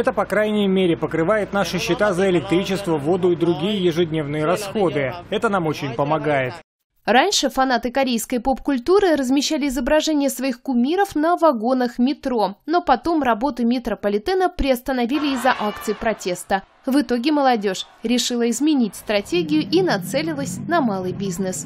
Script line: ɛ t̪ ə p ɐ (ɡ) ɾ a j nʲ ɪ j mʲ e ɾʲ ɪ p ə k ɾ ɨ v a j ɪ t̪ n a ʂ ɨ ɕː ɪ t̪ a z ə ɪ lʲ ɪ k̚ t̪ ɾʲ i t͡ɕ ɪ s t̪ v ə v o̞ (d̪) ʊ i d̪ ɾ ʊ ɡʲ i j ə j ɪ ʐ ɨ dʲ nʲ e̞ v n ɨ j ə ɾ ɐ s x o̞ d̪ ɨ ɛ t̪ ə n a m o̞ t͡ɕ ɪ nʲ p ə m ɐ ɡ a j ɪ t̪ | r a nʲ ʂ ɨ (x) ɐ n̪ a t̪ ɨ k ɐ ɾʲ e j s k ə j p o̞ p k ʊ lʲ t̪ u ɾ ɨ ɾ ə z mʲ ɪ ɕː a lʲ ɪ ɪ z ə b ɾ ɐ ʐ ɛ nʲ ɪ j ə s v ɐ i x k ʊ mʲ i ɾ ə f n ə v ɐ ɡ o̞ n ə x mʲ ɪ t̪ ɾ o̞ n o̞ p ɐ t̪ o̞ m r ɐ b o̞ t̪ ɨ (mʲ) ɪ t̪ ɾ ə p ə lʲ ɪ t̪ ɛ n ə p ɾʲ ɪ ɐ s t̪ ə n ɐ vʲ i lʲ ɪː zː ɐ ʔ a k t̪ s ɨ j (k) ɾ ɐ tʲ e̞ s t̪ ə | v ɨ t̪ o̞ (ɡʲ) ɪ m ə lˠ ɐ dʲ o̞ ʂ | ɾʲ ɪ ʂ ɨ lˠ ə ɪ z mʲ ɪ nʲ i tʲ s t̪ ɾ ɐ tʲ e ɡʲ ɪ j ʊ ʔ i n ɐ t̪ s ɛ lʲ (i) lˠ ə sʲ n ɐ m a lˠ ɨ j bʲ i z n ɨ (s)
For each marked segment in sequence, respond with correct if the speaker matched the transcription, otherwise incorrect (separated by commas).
incorrect, correct, incorrect, correct, incorrect, correct, incorrect, correct